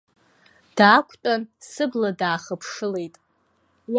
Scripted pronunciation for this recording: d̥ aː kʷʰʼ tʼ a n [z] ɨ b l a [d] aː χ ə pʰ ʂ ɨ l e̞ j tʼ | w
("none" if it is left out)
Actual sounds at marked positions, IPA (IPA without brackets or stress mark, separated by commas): s, d